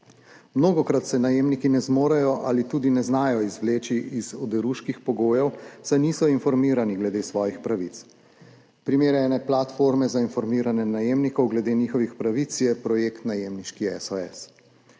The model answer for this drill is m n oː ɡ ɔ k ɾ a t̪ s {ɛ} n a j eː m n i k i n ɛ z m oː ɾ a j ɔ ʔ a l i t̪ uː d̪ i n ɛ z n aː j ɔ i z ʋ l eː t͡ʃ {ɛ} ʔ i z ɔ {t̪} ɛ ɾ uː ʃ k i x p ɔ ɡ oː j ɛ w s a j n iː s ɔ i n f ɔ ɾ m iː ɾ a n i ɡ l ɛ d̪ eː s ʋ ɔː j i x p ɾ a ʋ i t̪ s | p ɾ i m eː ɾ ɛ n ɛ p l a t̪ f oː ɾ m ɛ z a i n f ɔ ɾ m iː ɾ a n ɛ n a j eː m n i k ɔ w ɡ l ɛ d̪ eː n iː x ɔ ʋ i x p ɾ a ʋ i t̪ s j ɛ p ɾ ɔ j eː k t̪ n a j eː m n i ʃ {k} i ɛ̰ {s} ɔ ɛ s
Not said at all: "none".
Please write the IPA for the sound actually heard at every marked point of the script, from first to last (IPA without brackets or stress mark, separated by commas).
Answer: ɛ, i, d̪, k, s